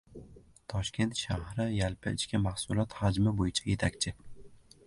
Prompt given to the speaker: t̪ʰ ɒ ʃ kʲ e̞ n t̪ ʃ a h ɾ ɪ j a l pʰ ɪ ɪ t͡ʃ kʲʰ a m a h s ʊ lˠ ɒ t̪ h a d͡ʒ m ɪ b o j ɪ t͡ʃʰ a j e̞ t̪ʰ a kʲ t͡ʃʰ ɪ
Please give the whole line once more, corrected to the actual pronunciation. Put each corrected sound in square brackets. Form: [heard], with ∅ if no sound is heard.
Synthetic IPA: t̪ʰ ɒ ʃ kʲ e̞ n t̪ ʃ a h ɾ ɪ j a l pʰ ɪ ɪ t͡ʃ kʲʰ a m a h s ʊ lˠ ɒ t̪ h a d͡ʒ m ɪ b o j ɪ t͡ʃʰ a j e̞ t̪ʰ a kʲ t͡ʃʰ ɪ